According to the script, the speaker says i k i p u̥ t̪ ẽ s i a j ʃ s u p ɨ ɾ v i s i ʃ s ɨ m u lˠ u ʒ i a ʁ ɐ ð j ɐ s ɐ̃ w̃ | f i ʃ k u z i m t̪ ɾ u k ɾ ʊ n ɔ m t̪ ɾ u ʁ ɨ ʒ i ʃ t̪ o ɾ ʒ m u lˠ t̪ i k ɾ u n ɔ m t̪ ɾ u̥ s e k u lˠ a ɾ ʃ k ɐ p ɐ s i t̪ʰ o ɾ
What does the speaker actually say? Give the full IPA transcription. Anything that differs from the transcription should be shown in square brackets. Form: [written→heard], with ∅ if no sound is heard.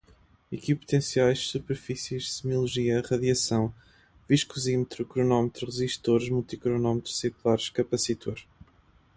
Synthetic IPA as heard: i k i p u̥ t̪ ẽ s i a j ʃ s u p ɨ ɾ [v→f] i s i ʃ s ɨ m u lˠ u ʒ i [a→ɐ] ʁ ɐ ð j ɐ s ɐ̃ w̃ | [f→v] i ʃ k u z i m t̪ ɾ u k ɾ [ʊ→u] n ɔ m t̪ ɾ u ʁ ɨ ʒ i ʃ t̪ o ɾ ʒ m u lˠ t̪ i k ɾ u n ɔ m t̪ ɾ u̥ s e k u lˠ a ɾ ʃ k ɐ p ɐ s i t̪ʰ o ɾ

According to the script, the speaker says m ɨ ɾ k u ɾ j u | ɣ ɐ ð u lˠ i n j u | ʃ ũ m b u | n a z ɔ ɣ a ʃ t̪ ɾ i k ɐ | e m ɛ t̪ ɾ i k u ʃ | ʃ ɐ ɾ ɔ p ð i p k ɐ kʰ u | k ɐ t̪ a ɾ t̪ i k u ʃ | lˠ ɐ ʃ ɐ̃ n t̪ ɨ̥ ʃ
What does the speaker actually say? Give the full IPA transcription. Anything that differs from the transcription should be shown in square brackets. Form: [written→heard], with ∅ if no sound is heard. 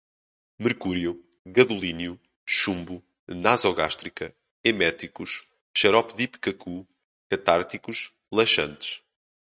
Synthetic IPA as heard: m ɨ ɾ k u ɾ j u | ɣ ɐ ð u lˠ i n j u | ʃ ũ m b u | n a z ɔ ɣ a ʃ t̪ ɾ i k ɐ | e m ɛ t̪ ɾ i k u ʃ | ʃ ɐ ɾ ɔ p ð i p k ɐ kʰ u | k ɐ t̪ a ɾ t̪ i k u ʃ | lˠ ɐ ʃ ɐ̃ n t̪ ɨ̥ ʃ

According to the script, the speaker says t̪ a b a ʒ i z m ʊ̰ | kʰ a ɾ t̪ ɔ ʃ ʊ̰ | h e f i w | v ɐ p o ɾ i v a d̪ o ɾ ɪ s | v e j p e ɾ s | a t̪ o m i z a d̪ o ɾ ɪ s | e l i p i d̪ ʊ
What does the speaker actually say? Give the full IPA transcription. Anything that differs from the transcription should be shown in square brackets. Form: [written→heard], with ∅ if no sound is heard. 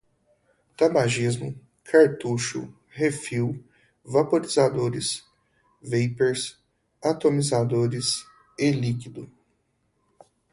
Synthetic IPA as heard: t̪ a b a ʒ i z m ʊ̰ | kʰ a ɾ t̪ [ɔ→u] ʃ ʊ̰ | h e f i w | v [ɐ→a] p o ɾ i [v→z] a d̪ o ɾ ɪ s | v e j p e ɾ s | a t̪ o m i z a d̪ o ɾ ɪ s | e l i [p→k] i d̪ ʊ

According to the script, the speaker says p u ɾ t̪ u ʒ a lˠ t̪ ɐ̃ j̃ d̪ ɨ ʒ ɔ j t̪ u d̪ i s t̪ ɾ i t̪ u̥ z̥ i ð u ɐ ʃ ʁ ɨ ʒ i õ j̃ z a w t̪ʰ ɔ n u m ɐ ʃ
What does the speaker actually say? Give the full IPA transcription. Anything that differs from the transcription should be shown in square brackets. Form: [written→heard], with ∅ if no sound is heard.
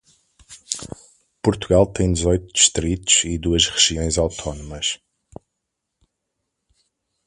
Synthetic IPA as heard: p u ɾ t̪ u [ʒ→ɣ] a lˠ t̪ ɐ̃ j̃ d̪ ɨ [ʒ→z] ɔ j t̪ u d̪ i [s→ʃ] t̪ ɾ i t̪ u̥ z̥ i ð u ɐ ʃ ʁ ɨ ʒ i õ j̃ z a w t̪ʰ ɔ n u m ɐ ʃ

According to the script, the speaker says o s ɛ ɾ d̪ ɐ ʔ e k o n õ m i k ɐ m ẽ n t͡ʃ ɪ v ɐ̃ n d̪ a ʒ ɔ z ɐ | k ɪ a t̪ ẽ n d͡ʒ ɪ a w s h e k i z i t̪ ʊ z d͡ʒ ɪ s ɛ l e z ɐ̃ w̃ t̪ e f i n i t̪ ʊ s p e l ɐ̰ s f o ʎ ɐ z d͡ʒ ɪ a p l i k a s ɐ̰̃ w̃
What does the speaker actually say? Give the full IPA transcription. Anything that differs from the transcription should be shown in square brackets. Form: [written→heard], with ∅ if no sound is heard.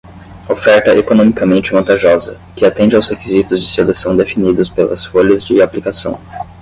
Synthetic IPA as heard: o [s→f] ɛ ɾ [d̪→t̪] ɐ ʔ e k o n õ m i k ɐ m ẽ n t͡ʃ ɪ v ɐ̃ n [d̪→t̪] a ʒ ɔ z ɐ | k ɪ a t̪ ẽ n d͡ʒ ɪ a w s h e k i z i t̪ ʊ z d͡ʒ ɪ s [ɛ→e] l e [z→s] ɐ̃ w̃ [t̪→d̪] e f i n i [t̪→d̪] ʊ s p e l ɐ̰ s f o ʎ ɐ z d͡ʒ ɪ a p l i k a s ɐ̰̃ w̃

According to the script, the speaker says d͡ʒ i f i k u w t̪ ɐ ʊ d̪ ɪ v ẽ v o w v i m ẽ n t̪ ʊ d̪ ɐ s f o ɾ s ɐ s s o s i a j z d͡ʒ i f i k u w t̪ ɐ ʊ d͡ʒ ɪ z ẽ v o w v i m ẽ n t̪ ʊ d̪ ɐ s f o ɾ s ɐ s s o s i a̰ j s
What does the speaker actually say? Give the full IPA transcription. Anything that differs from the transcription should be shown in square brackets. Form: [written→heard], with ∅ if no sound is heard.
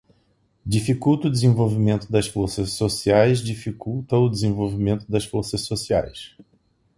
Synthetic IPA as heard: d͡ʒ i f i k u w t̪ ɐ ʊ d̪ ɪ [v→z] ẽ v o w v i m ẽ n t̪ ʊ d̪ ɐ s f o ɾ s ɐ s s o s i a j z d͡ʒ i f i k u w t̪ ɐ ʊ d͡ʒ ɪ z ẽ v o w v i m ẽ n t̪ ʊ d̪ ɐ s f o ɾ s ɐ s s o s i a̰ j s

